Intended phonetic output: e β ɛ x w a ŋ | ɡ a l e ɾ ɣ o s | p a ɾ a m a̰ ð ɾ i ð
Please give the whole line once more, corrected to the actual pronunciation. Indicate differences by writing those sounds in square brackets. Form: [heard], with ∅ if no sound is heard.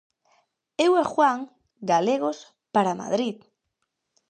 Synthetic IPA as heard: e [w] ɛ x w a ŋ | ɡ a l e [∅] ɣ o s | p a ɾ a m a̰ ð ɾ i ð